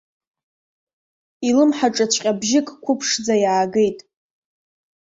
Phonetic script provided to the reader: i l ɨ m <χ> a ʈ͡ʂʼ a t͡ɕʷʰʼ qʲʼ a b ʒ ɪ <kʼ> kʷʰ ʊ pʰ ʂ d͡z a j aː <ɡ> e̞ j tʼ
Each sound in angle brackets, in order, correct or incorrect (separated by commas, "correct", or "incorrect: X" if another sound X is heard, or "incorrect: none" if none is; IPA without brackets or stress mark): incorrect: ħ, correct, correct